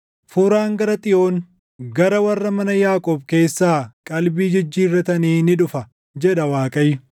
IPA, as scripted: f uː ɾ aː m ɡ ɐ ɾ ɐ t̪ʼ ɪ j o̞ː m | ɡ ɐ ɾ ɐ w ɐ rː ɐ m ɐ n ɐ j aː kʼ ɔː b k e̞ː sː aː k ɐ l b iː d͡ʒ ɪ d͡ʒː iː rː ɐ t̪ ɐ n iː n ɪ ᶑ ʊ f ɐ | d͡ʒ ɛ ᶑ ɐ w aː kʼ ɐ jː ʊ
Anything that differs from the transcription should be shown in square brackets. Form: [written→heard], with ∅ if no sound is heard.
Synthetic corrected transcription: f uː ɾ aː [m→ŋ] ɡ ɐ ɾ ɐ t̪ʼ ɪ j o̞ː [m→n] | ɡ ɐ ɾ ɐ w ɐ rː ɐ m ɐ n ɐ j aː kʼ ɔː b k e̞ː sː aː [k→kʼ] ɐ l b iː d͡ʒ ɪ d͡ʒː iː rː ɐ t̪ ɐ n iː n ɪ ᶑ ʊ f ɐ | d͡ʒ ɛ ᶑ ɐ w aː kʼ ɐ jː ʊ